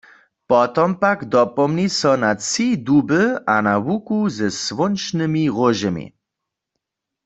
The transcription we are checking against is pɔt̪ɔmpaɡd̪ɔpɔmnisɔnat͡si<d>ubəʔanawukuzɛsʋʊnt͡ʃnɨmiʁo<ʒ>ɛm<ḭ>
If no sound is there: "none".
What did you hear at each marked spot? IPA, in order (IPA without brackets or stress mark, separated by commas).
d, ʒ, ḭ